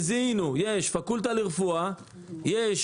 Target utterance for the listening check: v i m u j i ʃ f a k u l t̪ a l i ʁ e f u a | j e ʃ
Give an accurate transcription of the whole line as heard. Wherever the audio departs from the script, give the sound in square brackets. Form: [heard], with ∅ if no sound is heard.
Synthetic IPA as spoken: [z] i [n] u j [e] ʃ f a k u l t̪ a l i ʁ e f u a | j e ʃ